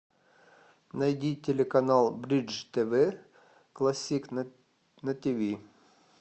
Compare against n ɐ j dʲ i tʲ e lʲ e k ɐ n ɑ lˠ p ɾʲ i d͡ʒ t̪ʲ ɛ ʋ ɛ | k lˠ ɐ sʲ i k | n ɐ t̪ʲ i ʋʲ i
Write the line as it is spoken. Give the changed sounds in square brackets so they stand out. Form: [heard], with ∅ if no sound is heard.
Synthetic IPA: n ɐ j dʲ i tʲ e lʲ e k ɐ n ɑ lˠ [b] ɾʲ i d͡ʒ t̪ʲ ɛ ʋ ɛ | k lˠ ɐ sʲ i k | n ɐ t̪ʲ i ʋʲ i